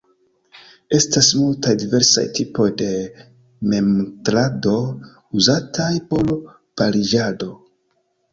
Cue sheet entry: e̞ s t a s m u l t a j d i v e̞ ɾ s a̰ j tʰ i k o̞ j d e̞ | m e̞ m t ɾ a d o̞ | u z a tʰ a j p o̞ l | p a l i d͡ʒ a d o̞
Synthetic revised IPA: e̞ s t a s m u l t a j d i v e̞ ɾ s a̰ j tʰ i p o̞ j d e̞ | m e̞ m t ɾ a d o̞ | u z a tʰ a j p o̞ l | p a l i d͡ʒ a d o̞